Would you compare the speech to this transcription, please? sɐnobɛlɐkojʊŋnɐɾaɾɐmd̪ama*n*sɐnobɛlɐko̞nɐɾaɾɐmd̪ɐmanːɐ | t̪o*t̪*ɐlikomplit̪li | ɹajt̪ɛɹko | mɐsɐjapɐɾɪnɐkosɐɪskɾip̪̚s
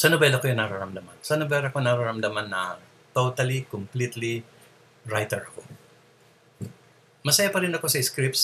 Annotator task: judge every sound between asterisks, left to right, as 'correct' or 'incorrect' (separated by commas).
correct, correct